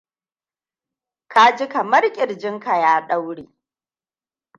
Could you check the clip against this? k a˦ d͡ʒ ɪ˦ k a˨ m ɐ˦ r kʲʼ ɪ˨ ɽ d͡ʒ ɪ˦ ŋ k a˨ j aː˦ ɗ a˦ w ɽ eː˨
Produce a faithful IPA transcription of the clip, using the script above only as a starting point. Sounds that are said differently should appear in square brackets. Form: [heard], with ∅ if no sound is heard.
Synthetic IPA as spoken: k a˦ d͡ʒ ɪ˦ k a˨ m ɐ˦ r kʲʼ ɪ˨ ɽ d͡ʒ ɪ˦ ŋ k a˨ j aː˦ ɗ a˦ w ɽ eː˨